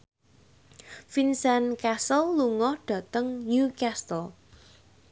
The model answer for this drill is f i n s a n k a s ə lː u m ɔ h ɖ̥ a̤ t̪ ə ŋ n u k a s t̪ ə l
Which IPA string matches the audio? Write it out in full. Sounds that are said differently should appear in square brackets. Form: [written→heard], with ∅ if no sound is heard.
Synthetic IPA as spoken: f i n s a n k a s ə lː u [m→ŋ] ɔ h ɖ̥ a̤ t̪ ə ŋ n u k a s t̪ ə l